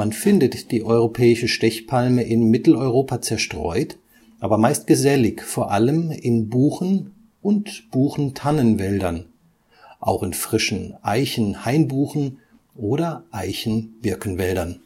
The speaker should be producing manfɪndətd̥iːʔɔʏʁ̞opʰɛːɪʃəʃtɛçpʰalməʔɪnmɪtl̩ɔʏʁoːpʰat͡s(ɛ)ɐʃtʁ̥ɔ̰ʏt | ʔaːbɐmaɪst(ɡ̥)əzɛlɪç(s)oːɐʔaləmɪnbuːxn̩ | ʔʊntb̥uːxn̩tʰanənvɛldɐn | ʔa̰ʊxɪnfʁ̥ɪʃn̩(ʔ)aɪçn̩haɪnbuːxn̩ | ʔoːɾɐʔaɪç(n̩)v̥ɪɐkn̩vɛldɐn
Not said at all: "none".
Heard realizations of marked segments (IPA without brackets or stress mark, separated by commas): ɛ, ɡ̥, f, ʔ, n̩